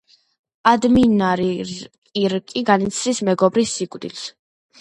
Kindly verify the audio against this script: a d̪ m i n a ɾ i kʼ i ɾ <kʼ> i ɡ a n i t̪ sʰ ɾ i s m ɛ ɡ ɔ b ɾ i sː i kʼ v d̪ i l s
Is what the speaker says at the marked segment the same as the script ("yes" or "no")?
yes